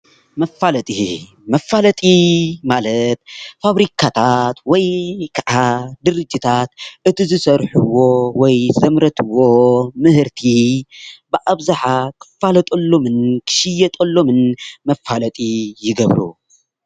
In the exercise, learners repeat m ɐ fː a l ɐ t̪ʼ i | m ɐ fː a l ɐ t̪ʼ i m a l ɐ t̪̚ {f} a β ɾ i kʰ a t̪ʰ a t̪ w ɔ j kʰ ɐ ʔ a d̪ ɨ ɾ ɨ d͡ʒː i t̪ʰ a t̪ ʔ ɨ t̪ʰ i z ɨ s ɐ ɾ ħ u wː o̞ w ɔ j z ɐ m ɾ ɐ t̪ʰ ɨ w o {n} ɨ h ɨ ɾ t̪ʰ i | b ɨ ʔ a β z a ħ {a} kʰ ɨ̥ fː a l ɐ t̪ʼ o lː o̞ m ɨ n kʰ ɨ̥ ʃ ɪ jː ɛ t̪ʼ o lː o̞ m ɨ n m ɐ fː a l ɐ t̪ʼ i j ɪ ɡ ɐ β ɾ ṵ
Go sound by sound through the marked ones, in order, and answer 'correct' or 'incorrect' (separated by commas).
correct, incorrect, correct